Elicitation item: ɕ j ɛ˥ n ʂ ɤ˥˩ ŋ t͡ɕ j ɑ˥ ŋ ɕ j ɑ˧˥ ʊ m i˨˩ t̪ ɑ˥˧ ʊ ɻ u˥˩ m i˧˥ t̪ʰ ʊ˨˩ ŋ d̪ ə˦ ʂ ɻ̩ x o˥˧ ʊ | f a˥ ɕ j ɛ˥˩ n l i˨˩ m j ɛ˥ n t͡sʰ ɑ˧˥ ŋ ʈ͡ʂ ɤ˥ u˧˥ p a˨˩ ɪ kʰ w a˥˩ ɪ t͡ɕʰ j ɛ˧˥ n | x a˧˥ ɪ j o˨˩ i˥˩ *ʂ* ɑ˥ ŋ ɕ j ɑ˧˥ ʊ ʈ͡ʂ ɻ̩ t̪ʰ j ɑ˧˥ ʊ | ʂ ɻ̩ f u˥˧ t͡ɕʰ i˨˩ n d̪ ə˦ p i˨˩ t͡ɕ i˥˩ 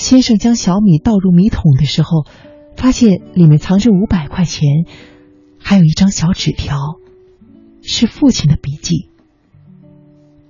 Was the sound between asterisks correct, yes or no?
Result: no